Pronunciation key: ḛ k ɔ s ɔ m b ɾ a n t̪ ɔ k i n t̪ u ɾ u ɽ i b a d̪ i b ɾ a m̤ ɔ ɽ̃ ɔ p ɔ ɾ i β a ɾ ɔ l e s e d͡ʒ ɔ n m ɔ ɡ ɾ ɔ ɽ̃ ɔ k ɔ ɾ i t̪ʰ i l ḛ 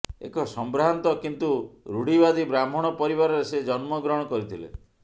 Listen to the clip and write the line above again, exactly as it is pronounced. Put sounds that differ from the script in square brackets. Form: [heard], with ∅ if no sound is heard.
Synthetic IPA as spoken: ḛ k ɔ s ɔ m b ɾ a n t̪ ɔ k i n t̪ u ɾ u ɽ i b a d̪ i b ɾ a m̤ ɔ ɽ̃ ɔ p ɔ ɾ i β a ɾ ɔ [ɾ] e s e d͡ʒ ɔ n m ɔ ɡ ɾ ɔ ɽ̃ ɔ k ɔ ɾ i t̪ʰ i l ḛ